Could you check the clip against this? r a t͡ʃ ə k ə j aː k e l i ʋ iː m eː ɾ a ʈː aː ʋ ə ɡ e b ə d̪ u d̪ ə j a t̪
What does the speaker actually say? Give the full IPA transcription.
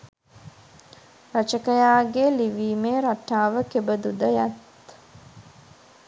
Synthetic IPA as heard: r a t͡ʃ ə k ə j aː ɡ e l i ʋ iː m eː ɾ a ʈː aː ʋ ə k e b ə d̪ u d̪ ə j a t̪